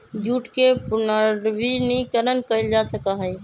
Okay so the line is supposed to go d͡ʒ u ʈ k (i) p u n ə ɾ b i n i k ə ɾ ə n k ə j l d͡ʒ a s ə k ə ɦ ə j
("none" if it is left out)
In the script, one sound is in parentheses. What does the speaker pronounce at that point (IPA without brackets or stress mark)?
e